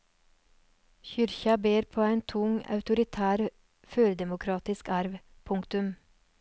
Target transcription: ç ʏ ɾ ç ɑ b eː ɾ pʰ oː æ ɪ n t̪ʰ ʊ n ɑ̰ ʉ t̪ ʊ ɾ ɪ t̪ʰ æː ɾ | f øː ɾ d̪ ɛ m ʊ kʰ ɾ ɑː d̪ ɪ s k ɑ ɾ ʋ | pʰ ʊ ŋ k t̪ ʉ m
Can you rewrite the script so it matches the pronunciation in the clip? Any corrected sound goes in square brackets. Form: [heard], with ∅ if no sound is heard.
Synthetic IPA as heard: ç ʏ ɾ ç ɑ b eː ɾ pʰ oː æ ɪ n t̪ʰ ʊ [ŋ] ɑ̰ ʉ t̪ ʊ ɾ ɪ t̪ʰ æː ɾ | f øː ɾ d̪ ɛ m ʊ kʰ ɾ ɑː [t̪] ɪ s k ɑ ɾ ʋ | pʰ ʊ ŋ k t̪ ʉ m